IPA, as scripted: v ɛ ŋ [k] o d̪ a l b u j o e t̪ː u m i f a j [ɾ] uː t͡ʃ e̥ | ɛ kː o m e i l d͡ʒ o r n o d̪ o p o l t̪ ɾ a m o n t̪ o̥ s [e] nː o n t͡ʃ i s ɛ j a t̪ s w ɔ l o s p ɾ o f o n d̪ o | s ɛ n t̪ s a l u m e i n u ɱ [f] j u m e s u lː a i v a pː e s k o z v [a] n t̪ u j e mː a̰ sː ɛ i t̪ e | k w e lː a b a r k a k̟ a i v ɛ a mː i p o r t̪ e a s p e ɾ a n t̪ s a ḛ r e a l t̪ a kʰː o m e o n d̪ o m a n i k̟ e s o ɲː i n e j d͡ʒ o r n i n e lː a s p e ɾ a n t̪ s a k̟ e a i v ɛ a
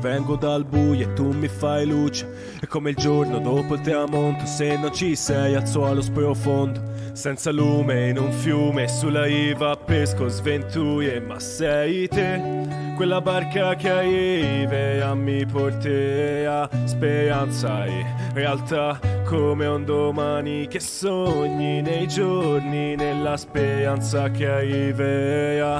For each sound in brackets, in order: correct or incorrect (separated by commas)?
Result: incorrect, incorrect, correct, correct, incorrect